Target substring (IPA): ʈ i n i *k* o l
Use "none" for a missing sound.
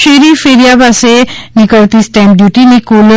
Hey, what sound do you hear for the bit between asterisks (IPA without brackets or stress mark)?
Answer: k